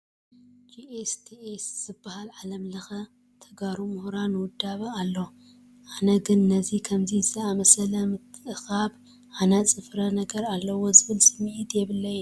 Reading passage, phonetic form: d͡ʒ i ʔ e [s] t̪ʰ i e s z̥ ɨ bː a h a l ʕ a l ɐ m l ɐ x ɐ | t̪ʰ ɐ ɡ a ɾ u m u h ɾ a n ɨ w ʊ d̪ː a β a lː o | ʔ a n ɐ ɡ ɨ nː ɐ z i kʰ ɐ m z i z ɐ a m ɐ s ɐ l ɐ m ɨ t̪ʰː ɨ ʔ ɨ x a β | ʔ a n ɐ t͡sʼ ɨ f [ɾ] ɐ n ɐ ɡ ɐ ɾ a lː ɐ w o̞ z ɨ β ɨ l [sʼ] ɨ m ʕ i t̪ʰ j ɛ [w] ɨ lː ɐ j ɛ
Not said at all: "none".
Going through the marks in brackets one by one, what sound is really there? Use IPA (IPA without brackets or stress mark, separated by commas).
s, ɾ, sʼ, β